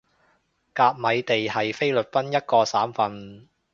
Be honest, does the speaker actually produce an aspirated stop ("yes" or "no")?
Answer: no